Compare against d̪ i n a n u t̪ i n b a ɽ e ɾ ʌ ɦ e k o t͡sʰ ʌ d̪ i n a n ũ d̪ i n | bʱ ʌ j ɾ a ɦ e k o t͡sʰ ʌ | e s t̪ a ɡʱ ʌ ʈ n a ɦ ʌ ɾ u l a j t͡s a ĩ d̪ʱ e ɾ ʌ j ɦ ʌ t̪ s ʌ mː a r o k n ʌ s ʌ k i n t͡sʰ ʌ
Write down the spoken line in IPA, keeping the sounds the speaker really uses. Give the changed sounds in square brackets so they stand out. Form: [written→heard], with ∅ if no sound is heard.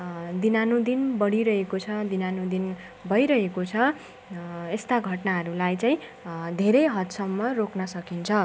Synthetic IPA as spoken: d̪ i n a n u [t̪→d̪] i n b [a→ʌ] ɽ [e→i] ɾ ʌ ɦ e k o t͡sʰ ʌ d̪ i n a n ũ d̪ i n | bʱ ʌ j ɾ [a→ʌ] ɦ e k o t͡sʰ ʌ | e s t̪ a ɡʱ ʌ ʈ n a ɦ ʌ ɾ u l a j t͡s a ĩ d̪ʱ e ɾ ʌ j ɦ ʌ t̪ s ʌ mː [a→ʌ] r o k n ʌ s ʌ k i n t͡sʰ ʌ